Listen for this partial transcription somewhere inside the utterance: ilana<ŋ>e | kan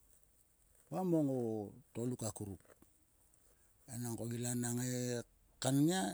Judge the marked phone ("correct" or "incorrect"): correct